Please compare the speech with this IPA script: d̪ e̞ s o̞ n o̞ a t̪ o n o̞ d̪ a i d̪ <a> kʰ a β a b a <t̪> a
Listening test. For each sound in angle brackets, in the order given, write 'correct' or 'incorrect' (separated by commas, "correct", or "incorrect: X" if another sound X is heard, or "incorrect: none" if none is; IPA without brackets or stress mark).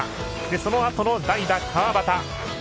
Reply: correct, correct